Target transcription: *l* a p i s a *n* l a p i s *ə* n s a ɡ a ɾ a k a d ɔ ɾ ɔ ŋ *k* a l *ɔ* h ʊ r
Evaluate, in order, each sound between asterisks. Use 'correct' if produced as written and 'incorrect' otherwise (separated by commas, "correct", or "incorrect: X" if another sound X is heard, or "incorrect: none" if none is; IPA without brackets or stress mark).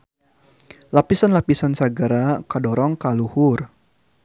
correct, correct, incorrect: a, correct, incorrect: u